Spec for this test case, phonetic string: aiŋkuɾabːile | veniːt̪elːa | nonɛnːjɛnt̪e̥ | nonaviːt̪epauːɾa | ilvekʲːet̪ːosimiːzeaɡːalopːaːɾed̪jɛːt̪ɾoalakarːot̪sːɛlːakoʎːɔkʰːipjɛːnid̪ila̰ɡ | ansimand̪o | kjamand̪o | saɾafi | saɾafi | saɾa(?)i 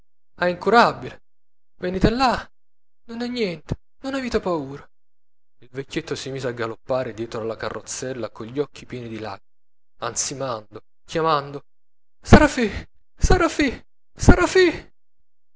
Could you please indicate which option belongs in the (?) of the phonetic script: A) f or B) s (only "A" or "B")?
A